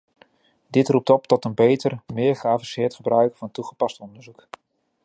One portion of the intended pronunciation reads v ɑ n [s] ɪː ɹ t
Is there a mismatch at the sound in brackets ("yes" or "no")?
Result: no